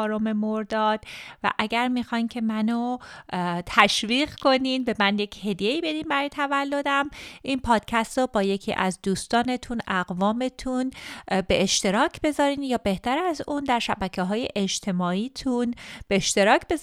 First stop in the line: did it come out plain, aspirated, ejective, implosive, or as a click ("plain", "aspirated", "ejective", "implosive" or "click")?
plain